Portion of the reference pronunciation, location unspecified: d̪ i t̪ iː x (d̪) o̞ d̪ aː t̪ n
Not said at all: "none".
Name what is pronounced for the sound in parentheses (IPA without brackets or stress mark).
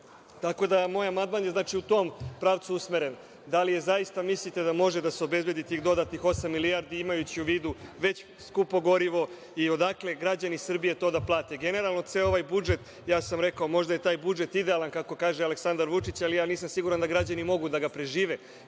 d̪